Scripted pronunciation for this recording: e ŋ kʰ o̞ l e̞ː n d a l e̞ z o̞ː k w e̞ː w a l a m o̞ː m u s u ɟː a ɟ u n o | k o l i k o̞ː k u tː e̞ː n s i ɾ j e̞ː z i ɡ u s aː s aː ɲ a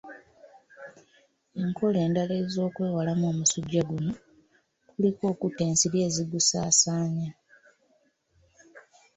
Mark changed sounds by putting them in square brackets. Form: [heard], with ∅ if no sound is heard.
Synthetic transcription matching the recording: e ŋ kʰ o̞ l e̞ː n d a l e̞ z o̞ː k w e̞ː w a l a m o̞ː m u s u ɟː a [ɡ] u n o | k [u] l i k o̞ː k u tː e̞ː n s i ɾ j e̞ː z i ɡ u s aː s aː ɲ a